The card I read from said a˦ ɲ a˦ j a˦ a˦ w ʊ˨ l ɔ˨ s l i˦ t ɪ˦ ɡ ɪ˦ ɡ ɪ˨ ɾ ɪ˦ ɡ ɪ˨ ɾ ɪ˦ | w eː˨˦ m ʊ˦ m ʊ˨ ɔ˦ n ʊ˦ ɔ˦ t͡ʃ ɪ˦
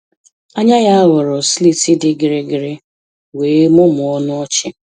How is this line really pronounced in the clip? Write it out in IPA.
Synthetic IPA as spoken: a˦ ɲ a˦ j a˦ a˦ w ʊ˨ ɾ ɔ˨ s l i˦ t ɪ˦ d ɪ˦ ɡ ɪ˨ ɾ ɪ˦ ɡ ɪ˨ ɾ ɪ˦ | w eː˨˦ m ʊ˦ m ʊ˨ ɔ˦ n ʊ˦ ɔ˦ t͡ʃ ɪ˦